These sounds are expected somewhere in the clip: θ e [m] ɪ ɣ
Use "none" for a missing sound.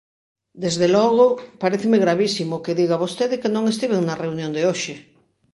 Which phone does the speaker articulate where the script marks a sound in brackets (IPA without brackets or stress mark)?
m